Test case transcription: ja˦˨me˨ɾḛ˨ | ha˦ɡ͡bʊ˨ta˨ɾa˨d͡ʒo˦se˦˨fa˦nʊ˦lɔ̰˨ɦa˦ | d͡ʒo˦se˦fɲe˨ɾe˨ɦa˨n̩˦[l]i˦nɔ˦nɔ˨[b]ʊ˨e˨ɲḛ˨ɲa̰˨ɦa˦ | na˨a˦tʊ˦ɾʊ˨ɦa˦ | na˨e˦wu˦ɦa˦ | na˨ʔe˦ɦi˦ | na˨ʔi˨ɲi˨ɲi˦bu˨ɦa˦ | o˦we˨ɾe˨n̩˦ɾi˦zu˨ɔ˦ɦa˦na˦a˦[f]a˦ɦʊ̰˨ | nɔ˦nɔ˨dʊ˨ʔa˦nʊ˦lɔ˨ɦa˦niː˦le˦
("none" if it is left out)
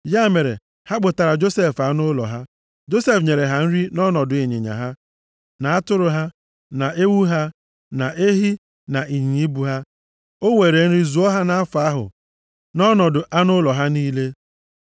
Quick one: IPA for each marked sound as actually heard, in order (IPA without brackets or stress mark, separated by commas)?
ɾ, d, f